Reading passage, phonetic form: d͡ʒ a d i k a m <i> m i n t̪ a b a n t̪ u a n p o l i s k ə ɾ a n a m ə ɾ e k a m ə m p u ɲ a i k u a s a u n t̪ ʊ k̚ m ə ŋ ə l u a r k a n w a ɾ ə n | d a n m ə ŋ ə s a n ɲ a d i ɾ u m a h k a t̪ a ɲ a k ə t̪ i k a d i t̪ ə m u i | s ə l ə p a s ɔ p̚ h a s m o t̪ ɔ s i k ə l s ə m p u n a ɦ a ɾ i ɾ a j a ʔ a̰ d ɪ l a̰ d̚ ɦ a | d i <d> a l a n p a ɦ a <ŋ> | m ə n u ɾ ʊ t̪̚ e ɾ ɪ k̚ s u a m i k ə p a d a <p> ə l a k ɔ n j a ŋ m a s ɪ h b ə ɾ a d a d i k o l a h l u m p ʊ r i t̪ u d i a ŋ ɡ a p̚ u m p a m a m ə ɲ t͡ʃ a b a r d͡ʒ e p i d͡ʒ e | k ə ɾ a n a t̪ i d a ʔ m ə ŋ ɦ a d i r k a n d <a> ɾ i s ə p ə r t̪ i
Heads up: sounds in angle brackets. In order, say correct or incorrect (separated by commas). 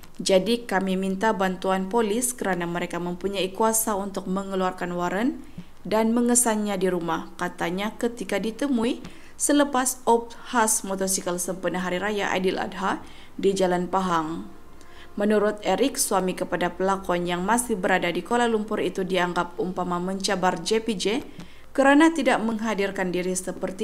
correct, incorrect, correct, correct, incorrect